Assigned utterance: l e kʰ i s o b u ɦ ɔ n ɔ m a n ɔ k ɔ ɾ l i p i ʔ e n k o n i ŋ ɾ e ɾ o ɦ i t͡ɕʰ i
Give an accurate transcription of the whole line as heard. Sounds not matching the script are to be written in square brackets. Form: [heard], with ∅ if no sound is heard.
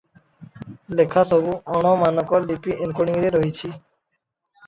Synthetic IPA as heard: l e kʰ [a] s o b u [∅] ɔ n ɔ m a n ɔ k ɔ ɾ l i p i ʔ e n k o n i ŋ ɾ e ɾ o ɦ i t͡ɕʰ i

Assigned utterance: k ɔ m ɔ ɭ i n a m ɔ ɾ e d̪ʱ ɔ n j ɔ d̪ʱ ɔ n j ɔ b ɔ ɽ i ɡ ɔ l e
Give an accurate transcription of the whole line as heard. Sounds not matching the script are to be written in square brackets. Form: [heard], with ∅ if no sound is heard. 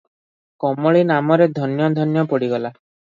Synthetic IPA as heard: k ɔ m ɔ ɭ i n a m ɔ ɾ e d̪ʱ ɔ n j ɔ d̪ʱ ɔ n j ɔ [p] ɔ ɽ i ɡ ɔ l [a]

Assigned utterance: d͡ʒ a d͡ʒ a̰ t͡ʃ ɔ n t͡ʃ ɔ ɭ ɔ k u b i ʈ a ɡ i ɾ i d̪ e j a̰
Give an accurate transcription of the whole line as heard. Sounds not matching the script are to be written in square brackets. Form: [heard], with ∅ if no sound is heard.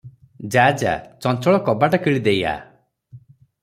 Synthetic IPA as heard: d͡ʒ a d͡ʒ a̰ t͡ʃ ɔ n t͡ʃ ɔ ɭ ɔ k [ɔ] b [a] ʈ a [k] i [ɭ] i d̪ e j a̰

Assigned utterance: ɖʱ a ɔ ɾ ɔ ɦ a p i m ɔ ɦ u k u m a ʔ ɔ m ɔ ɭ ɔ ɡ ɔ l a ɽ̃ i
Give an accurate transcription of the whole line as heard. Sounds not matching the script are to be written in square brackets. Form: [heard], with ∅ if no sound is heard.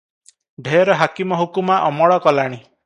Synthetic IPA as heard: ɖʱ [e] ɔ ɾ ɔ ɦ a [k] i m ɔ ɦ u k u m a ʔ ɔ m ɔ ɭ ɔ [k] ɔ l a ɽ̃ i

